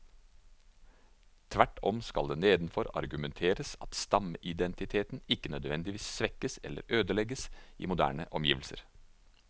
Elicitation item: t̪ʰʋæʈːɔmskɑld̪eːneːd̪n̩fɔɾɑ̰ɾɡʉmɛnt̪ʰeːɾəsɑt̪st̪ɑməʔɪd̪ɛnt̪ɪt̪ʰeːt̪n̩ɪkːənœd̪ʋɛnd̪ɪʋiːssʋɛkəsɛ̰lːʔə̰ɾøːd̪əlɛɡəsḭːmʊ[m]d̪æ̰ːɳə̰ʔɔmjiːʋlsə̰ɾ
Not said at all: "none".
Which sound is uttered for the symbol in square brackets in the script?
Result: none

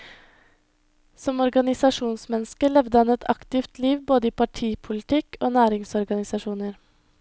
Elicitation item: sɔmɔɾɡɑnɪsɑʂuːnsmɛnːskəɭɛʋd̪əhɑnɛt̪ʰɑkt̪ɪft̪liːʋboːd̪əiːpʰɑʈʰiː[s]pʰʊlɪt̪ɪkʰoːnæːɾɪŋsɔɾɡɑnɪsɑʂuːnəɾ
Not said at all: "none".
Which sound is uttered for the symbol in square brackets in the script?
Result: none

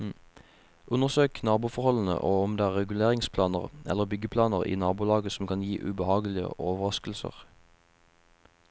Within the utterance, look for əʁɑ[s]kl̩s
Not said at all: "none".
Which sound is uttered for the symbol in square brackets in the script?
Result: s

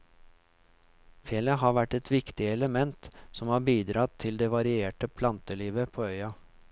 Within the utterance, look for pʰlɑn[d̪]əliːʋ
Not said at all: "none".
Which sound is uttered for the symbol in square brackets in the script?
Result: t̪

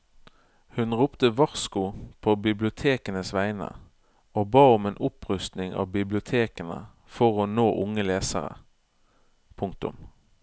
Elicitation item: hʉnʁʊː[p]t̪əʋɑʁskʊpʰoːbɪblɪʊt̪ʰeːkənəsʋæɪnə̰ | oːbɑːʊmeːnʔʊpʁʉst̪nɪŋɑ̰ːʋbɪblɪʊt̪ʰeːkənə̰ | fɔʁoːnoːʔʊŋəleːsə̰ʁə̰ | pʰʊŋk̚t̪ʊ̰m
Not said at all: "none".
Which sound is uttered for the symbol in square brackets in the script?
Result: p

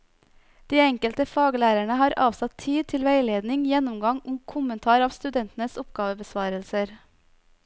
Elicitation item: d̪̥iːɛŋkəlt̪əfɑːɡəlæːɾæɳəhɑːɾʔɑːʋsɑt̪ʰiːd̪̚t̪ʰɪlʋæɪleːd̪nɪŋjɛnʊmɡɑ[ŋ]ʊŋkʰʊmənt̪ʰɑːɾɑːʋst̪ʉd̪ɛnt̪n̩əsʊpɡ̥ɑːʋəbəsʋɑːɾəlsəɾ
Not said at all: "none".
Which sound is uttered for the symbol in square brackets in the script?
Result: ŋ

